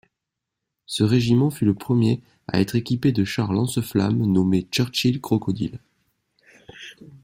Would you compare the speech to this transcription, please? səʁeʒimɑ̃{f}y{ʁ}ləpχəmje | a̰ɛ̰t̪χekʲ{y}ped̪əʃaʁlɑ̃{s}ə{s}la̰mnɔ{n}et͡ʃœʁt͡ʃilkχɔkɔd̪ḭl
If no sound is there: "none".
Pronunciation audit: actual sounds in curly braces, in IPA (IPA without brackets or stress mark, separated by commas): f, none, i, s, f, m